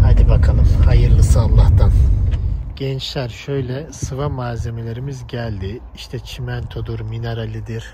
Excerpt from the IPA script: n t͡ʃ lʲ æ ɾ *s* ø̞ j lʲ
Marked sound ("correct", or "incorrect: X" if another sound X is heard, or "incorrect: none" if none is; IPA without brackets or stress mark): incorrect: ʃ